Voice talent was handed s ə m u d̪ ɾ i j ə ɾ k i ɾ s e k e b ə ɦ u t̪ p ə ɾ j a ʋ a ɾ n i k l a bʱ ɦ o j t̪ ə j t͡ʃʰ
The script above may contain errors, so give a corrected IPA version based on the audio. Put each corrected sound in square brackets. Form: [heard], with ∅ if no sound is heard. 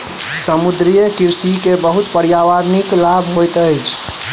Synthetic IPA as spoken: s ə m u d̪ ɾ i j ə [∅] k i ɾ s [i] k e b ə ɦ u t̪ p ə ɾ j a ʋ a ɾ n i k l a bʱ ɦ o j t̪ ə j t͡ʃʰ